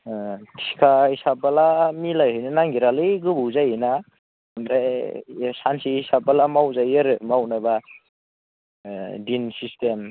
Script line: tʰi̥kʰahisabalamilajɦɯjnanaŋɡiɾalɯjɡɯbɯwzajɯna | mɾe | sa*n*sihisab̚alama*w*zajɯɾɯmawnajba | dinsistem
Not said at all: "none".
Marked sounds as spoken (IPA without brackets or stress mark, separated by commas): n, w